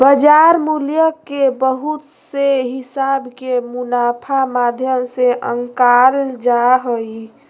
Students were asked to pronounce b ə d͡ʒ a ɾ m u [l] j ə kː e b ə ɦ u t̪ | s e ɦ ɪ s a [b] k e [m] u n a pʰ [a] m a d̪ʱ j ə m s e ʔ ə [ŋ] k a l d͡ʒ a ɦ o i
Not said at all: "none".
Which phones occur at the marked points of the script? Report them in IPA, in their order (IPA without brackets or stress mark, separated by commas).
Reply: l, b, m, a, ŋ